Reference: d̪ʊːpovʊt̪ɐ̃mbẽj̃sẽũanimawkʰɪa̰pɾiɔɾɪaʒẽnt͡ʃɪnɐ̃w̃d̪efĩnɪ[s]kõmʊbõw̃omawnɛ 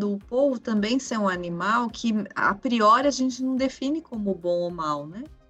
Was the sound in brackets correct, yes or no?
no